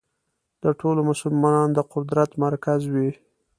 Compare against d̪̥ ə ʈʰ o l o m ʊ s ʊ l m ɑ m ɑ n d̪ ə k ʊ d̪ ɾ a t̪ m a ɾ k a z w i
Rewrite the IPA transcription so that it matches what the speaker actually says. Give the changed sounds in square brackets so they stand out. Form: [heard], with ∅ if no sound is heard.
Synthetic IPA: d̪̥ ə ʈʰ o l o m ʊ s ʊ l m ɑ [n] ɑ n d̪ ə [q] ʊ d̪ ɾ a t̪ m a ɾ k a z w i